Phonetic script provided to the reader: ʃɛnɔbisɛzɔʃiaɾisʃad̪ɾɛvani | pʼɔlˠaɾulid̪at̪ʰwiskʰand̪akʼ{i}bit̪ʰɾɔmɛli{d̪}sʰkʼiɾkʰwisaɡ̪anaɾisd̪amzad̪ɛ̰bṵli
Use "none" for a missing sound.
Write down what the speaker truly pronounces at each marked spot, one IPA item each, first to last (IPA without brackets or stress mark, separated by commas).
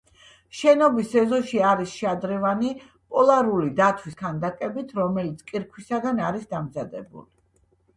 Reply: ɛ, t̪